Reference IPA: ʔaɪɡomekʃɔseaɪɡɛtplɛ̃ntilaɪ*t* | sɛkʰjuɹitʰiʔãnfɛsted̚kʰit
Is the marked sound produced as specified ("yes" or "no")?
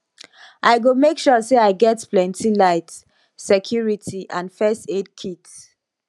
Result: yes